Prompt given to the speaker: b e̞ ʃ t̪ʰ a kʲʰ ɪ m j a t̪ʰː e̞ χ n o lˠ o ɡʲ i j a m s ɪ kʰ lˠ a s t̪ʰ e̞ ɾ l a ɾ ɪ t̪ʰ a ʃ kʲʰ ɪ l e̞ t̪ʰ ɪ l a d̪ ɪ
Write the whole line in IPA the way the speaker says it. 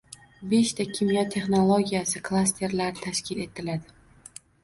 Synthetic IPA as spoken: b e̞ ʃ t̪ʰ a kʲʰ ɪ m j a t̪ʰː e̞ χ n o lˠ o ɡʲ i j a s ɪ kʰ lˠ a s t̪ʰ e̞ ɾ l a ɾ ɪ t̪ʰ a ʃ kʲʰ ɪ l e̞ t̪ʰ ɪ l a d̪ ɪ

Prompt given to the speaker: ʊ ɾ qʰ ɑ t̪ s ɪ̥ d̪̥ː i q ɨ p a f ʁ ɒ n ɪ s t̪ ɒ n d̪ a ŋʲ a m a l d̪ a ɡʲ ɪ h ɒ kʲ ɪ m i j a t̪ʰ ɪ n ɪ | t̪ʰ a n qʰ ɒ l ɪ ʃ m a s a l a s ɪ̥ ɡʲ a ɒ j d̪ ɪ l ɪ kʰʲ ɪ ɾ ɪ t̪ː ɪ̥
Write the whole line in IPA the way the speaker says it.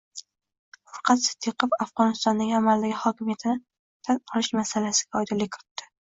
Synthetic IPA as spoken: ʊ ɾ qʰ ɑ t̪ s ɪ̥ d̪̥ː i q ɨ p a f ʁ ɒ n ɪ s t̪ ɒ n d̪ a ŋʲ a m a l d̪ a ɡʲ ɪ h ɒ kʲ ɪ m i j a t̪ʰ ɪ n ɪ | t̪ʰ a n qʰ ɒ l ɪ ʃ m a s a l a s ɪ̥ ɡʲ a ɒ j d̪ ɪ l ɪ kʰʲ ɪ ɾ ɪ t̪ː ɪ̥

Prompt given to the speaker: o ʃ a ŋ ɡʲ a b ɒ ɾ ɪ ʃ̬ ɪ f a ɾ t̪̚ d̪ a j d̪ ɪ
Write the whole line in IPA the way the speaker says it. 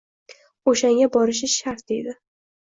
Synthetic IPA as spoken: o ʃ a ŋ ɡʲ a b ɒ ɾ ɪ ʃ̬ ɪ ʃ a ɾ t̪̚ d̪ e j d̪ ɪ

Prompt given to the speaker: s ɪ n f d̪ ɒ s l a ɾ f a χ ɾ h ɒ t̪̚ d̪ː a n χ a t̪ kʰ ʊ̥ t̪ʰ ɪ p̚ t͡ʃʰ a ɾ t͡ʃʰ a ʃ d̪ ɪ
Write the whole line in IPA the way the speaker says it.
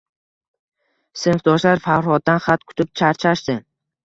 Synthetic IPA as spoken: s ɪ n f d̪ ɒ ʃ l a ɾ f a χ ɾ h ɒ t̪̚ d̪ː a n χ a t̪ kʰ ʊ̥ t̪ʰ ɪ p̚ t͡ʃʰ a ɾ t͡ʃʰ a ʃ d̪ ɪ

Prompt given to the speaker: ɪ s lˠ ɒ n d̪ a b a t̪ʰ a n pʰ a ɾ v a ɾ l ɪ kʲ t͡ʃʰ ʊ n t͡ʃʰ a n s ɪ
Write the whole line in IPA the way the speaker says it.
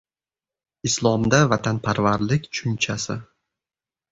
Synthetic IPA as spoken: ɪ s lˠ ɒ m d̪ a v a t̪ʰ a n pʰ a ɾ v a ɾ l ɪ kʲ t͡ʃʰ ʊ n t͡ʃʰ a s ɪ

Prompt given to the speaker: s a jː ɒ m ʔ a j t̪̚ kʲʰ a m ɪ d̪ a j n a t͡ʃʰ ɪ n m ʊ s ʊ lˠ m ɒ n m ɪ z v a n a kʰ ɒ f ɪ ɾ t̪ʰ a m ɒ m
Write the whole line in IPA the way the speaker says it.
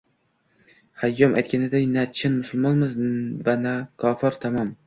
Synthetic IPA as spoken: h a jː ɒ m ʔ a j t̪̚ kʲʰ a n ɪ d̪ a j n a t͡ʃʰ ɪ n m ʊ s ʊ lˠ m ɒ n m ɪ z v a n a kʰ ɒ f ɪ ɾ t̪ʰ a m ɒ m

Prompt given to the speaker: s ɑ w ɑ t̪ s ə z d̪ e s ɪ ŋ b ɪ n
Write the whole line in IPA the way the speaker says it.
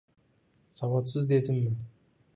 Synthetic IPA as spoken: s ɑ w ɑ t̪ s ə z d̪ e s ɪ ŋ m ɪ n

